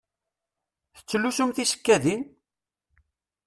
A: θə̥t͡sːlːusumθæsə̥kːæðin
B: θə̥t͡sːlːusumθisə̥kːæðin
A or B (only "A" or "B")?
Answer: B